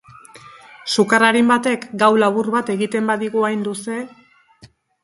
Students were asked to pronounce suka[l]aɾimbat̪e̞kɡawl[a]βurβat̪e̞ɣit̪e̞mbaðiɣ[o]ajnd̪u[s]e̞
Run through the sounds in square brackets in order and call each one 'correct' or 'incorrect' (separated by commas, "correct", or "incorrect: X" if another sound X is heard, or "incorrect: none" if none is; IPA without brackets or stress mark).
incorrect: r, correct, incorrect: u, correct